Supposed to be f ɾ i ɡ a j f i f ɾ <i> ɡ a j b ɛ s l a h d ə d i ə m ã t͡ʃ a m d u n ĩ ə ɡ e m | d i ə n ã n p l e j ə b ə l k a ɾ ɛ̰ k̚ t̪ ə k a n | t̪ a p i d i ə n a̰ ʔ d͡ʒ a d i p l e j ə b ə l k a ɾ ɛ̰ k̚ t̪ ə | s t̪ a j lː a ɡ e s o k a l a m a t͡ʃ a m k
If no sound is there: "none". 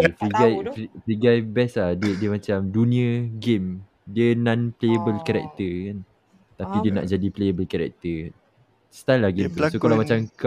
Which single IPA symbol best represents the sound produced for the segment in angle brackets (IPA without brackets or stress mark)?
i